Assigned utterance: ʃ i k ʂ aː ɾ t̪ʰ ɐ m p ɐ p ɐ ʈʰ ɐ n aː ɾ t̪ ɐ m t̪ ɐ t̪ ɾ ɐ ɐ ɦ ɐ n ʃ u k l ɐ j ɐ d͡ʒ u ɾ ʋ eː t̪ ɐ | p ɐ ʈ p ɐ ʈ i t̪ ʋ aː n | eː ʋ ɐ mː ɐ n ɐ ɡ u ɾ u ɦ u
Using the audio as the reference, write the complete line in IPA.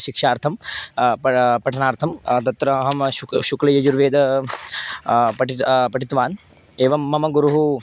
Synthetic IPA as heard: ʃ i k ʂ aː ɾ t̪ʰ ɐ m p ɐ p ɐ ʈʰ ɐ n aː ɾ t̪ʰ ɐ m t̪ ɐ t̪ ɾ ɐ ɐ ɦ ɐ m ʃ u k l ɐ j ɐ d͡ʒ u ɾ ʋ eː d̪ ɐ | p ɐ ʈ p ɐ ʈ i t̪ ʋ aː n | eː ʋ ɐ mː ɐ m ɐ ɡ u ɾ u ɦ u